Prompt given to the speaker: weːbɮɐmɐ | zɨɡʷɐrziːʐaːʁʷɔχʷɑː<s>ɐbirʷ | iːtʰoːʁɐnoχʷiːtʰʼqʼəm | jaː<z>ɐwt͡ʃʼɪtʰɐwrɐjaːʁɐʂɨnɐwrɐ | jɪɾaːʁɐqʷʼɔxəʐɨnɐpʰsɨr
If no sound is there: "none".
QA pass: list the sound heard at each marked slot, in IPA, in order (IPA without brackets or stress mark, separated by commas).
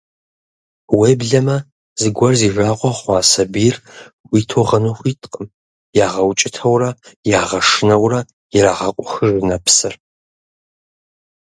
s, ʁ